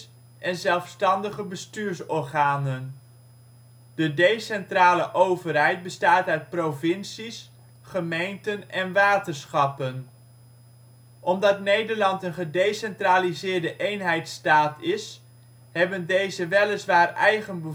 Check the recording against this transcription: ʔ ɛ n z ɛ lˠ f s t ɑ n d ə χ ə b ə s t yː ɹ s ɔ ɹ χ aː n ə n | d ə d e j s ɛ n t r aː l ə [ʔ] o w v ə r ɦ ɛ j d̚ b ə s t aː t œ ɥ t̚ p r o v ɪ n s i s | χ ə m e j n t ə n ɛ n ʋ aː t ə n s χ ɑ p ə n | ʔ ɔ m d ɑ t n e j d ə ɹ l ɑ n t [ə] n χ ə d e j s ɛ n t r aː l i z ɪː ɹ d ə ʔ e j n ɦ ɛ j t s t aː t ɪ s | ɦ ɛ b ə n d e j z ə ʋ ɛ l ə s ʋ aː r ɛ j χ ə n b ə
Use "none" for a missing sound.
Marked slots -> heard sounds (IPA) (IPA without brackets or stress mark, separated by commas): ʔ, ə